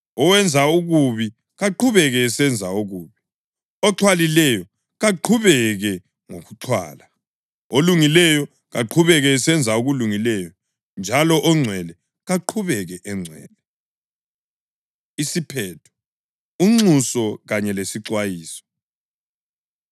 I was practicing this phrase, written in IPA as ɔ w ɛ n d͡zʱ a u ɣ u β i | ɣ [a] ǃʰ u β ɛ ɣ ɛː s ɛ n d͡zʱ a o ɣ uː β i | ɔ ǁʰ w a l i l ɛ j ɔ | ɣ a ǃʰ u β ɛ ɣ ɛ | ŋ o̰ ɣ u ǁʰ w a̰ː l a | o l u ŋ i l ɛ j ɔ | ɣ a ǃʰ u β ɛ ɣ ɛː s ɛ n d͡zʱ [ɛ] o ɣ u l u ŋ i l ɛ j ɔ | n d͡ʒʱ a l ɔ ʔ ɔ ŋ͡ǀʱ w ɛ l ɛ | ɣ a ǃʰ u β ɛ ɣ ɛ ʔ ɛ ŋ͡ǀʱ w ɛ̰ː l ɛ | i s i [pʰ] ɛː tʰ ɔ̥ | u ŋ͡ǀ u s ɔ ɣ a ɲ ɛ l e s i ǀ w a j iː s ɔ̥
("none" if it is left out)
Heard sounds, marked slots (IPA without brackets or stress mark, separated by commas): a, a, pʰ